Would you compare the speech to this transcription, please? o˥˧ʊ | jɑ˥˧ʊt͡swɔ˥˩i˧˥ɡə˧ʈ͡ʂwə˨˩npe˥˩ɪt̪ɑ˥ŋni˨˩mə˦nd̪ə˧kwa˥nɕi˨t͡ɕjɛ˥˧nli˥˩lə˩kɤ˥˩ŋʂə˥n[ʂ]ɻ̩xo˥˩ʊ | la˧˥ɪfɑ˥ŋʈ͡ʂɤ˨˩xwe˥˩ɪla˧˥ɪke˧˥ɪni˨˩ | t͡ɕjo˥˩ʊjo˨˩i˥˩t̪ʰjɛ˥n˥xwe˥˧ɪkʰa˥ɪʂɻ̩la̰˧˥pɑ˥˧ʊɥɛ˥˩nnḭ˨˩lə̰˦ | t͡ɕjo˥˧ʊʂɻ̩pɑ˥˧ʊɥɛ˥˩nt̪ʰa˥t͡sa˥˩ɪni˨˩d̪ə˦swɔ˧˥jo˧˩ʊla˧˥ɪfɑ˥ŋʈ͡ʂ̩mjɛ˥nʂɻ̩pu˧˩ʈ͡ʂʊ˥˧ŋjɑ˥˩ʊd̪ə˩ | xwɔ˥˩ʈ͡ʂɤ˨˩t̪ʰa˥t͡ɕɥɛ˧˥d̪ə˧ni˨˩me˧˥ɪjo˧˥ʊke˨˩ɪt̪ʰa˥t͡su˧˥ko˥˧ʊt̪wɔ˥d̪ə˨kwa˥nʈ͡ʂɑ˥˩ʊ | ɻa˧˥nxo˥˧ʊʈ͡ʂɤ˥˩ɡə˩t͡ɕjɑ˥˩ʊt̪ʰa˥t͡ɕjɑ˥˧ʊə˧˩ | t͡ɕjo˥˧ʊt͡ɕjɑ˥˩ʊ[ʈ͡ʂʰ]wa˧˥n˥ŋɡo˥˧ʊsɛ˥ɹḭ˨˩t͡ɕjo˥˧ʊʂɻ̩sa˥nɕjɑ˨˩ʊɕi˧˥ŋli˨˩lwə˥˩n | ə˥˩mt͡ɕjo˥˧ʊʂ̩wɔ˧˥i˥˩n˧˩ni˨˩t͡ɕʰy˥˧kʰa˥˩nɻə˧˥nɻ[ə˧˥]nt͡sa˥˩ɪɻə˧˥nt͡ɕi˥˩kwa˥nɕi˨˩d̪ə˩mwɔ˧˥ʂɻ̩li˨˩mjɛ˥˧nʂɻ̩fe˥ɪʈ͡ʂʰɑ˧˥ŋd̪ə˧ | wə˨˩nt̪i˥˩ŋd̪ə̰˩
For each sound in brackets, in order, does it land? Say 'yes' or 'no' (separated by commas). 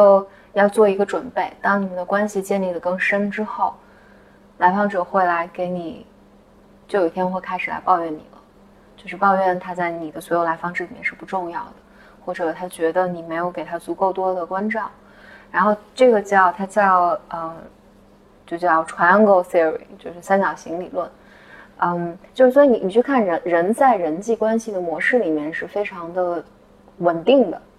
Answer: no, yes, yes